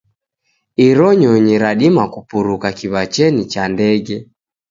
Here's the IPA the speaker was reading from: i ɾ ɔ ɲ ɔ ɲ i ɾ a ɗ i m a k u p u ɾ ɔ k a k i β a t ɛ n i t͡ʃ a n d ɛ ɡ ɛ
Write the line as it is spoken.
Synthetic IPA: i ɾ ɔ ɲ ɔ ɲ i ɾ a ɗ i m a k u p u ɾ u k a k i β a t͡ʃ ɛ n i t͡ʃ a n d ɛ ɡ ɛ